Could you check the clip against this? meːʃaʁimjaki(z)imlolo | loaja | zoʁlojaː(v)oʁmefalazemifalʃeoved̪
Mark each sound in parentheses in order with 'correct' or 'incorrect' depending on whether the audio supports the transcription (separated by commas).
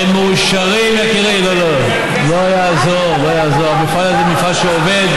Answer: incorrect, incorrect